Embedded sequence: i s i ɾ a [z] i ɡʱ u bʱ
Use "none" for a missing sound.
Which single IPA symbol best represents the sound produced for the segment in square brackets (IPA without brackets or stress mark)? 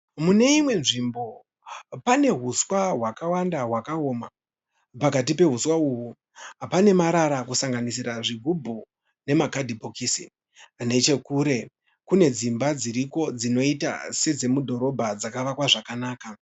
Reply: ʐ